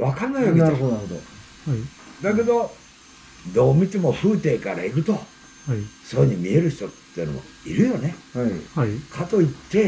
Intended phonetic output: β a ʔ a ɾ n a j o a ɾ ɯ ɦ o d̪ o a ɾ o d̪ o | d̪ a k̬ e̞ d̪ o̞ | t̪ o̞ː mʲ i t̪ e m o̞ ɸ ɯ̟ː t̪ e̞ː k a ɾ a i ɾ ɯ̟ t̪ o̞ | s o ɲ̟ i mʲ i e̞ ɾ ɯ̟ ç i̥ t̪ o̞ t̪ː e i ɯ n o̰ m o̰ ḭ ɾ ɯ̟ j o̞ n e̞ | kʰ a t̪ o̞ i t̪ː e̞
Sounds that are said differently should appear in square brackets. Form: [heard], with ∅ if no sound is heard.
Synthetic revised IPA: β a [k] a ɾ n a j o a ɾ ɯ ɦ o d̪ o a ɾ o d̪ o | d̪ a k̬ e̞ d̪ o̞ | [d̪] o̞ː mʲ i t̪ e m o̞ ɸ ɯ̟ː t̪ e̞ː k a ɾ a i ɾ ɯ̟ t̪ o̞ | s o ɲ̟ i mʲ i e̞ ɾ ɯ̟ ç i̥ t̪ o̞ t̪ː e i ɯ n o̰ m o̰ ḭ ɾ ɯ̟ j o̞ n e̞ | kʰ a t̪ o̞ i t̪ː e̞